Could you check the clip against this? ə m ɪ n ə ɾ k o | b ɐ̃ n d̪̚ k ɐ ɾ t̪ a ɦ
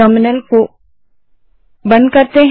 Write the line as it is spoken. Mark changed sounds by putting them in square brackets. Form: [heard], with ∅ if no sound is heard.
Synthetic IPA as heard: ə m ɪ n ə [l] k o | b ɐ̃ n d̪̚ k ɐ ɾ t̪ [e] ɦ